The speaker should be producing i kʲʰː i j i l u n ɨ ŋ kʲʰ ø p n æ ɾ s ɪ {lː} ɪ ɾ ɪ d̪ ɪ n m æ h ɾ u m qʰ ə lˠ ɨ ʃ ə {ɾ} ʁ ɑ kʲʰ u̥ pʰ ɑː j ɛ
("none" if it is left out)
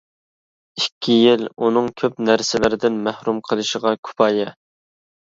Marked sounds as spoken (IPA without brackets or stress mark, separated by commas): l, none